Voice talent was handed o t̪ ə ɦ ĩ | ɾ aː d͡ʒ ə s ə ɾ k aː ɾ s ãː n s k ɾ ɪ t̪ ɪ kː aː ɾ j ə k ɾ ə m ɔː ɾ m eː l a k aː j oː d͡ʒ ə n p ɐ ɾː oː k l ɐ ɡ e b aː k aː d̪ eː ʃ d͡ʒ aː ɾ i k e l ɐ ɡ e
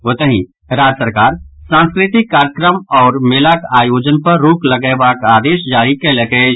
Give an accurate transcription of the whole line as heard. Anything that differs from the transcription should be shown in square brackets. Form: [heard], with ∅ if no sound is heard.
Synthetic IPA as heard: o t̪ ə ɦ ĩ | ɾ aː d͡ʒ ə s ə ɾ k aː ɾ s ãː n s k ɾ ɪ t̪ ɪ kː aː ɾ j ə k ɾ ə m ɔː ɾ m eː l a k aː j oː d͡ʒ ə n p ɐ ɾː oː k l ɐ ɡ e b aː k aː d̪ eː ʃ d͡ʒ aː ɾ i k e l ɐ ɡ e

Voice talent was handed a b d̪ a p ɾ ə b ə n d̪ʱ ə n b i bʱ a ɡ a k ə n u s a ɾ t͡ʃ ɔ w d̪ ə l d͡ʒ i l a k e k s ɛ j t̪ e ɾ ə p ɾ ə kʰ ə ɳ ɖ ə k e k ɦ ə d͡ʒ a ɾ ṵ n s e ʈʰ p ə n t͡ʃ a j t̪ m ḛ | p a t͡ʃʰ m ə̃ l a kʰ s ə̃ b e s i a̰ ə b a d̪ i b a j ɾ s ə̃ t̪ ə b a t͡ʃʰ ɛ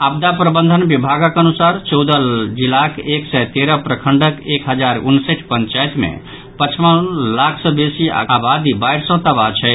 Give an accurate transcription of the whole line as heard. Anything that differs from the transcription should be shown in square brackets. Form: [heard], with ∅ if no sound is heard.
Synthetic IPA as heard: a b d̪ a p ɾ ə b ə n d̪ʱ ə n b i bʱ a ɡ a k ə n u s a ɾ t͡ʃ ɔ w d̪ ə l d͡ʒ i l a k e k s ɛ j t̪ e ɾ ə p ɾ ə kʰ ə ɳ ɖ ə k e k ɦ ə d͡ʒ a ɾ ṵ n s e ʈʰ p ə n t͡ʃ a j t̪ m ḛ | p [ə] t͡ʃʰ m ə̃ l a kʰ s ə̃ b e s i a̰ [a] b a d̪ i b a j ɾ s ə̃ t̪ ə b a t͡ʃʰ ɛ

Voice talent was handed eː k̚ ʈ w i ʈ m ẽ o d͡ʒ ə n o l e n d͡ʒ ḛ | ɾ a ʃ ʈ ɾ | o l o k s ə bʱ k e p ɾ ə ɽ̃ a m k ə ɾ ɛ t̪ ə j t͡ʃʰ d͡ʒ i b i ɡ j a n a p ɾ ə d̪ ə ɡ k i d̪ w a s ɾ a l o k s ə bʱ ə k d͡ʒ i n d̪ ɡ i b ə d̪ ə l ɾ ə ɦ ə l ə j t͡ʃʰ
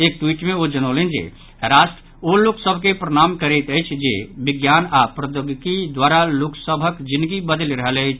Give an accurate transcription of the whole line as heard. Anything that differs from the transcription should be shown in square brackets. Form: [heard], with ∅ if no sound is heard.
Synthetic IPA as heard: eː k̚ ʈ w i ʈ m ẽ o d͡ʒ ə n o l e n d͡ʒ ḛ | ɾ a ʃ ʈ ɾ | o l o k s ə bʱ k e p ɾ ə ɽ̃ a m k ə ɾ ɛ t̪ ə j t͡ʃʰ d͡ʒ [e] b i ɡ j a n a p ɾ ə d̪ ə ɡ k i d̪ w a [∅] ɾ a l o k s ə bʱ ə k d͡ʒ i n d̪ ɡ i b ə d̪ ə l ɾ ə ɦ ə l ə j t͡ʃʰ

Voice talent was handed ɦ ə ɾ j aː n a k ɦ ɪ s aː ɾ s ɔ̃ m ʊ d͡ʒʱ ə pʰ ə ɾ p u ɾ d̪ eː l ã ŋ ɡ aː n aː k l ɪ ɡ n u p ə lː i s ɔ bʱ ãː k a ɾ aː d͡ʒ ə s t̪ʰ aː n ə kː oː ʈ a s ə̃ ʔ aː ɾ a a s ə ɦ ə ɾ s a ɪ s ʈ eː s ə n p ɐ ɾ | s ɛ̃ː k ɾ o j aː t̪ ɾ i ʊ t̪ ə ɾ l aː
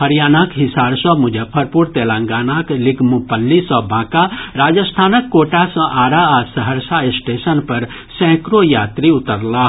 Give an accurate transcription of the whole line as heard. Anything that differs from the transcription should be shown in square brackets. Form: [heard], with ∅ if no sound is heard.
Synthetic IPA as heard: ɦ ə ɾ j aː n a k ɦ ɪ s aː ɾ s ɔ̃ m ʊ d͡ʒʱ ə pʰ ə ɾ p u ɾ [t̪] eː l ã ŋ ɡ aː n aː k l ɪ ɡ [m] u p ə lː i s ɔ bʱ ãː k a ɾ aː d͡ʒ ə s t̪ʰ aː n ə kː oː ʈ a s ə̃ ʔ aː ɾ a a s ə ɦ ə ɾ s a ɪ s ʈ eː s ə n p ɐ ɾ | s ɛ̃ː k ɾ o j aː t̪ ɾ i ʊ t̪ ə ɾ l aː

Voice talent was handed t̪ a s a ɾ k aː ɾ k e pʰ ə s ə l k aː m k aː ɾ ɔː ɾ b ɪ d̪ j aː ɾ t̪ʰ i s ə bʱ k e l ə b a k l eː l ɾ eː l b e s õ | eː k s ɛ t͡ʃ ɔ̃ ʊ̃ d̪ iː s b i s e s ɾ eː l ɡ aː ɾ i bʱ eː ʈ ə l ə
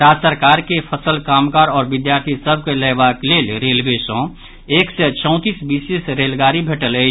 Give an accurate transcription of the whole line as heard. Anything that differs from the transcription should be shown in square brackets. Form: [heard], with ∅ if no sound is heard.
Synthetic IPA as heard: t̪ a s [ə] ɾ k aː ɾ k e pʰ ə s ə l k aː m k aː ɾ ɔː ɾ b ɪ d̪ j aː ɾ t̪ʰ i s ə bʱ k e l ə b a k l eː l ɾ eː l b e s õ | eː k s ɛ t͡ʃ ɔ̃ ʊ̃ [t̪] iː s b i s e s ɾ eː l ɡ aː ɾ i bʱ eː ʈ ə l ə

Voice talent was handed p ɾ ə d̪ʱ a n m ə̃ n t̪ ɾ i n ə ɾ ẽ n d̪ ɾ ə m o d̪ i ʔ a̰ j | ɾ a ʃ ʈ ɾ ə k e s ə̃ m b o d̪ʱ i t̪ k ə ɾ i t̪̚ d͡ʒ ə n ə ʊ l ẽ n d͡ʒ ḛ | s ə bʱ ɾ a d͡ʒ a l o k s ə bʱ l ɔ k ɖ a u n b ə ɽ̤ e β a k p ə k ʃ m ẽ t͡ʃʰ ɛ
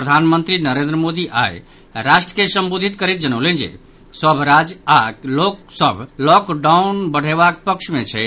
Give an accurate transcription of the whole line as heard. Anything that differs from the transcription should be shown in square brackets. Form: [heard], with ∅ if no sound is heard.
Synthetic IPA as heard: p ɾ ə d̪ʱ a n m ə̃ n t̪ ɾ i n ə ɾ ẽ n d̪ ɾ ə m o d̪ i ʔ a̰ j | ɾ a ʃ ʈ ɾ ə k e s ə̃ m b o d̪ʱ i t̪ k ə ɾ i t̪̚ d͡ʒ ə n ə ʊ l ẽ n d͡ʒ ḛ | s ə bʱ ɾ a d͡ʒ a l o k s ə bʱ l ɔ k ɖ a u n b ə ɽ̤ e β a k p ə k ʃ m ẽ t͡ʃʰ ɛ

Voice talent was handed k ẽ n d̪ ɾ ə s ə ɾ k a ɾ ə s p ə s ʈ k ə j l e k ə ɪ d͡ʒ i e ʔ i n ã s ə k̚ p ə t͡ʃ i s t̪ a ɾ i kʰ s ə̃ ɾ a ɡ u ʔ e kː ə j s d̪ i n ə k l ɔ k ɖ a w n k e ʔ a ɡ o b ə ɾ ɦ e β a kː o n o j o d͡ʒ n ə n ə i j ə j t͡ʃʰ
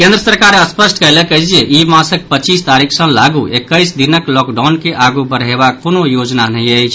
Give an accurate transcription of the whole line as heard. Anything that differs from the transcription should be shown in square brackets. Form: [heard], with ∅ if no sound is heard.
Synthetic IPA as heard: k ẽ n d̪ ɾ ə s ə ɾ k a ɾ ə s p ə s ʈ k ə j l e k ə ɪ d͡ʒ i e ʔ i [m] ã s ə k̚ p ə t͡ʃ i s t̪ a ɾ i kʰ s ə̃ [l] a ɡ u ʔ e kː ə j s d̪ i n ə k l ɔ k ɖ a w n k e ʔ a ɡ [u] b ə ɾ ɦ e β a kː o n o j o d͡ʒ n [a] n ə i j ə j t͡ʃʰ

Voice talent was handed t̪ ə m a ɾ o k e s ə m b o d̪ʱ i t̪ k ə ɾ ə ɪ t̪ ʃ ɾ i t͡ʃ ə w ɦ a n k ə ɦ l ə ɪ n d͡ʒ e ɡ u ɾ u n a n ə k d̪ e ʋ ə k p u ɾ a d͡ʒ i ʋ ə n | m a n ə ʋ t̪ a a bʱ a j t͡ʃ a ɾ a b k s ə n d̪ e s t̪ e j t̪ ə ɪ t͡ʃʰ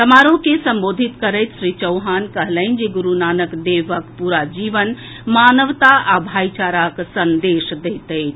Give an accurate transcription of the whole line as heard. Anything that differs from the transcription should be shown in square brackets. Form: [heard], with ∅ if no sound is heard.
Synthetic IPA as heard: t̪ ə m a ɾ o k e s ə m b o d̪ʱ i t̪ k ə ɾ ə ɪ t̪ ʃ ɾ i t͡ʃ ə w ɦ a n k ə ɦ l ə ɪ n d͡ʒ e ɡ u ɾ u n a n ə k d̪ e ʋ ə k p u ɾ a d͡ʒ i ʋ ə n | m a n ə ʋ t̪ a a bʱ a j t͡ʃ a ɾ a [∅] k s ə n d̪ e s [d̪] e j t̪ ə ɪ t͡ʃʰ

